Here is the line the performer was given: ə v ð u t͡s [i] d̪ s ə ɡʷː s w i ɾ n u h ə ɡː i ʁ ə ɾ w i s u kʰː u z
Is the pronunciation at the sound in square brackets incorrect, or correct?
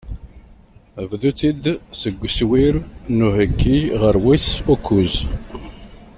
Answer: correct